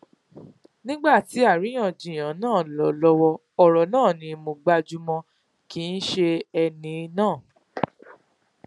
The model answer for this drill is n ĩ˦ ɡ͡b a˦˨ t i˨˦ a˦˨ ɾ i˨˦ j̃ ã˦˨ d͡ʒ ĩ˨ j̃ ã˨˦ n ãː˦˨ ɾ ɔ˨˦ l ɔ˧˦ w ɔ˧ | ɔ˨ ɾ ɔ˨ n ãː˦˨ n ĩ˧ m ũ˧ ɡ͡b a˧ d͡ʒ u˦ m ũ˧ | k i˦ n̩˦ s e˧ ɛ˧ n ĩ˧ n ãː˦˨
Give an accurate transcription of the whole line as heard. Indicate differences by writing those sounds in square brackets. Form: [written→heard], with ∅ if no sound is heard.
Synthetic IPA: n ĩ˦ ɡ͡b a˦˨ t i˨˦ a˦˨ ɾ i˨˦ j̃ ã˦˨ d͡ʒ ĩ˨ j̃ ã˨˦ n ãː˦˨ [ɾ→l] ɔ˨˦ l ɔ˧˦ w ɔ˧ | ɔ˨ ɾ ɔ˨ n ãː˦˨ n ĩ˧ m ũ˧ ɡ͡b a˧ d͡ʒ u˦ m [ũ˧→ɔ̃˧] | k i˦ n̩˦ [s→ʃ] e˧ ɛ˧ n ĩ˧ n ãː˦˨